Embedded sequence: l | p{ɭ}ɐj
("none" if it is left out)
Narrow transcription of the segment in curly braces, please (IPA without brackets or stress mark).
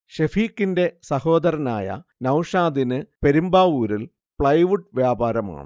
ɭ